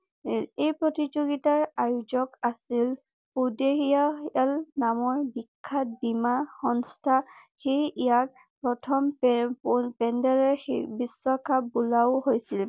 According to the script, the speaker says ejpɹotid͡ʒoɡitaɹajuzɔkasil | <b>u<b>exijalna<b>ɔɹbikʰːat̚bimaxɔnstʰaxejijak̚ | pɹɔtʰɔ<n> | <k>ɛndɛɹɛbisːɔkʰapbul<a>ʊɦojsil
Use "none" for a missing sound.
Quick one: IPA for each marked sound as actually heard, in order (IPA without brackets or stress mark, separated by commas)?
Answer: p, d, m, m, p, a